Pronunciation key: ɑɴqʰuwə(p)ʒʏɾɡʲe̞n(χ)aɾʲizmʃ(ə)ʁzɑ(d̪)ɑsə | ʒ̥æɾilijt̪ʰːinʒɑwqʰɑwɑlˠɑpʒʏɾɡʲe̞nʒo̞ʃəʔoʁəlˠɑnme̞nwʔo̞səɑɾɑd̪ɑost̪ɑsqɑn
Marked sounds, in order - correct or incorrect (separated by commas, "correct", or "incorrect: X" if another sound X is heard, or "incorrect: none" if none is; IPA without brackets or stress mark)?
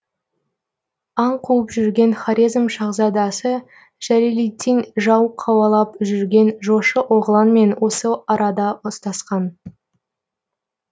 correct, correct, incorrect: ɑ, correct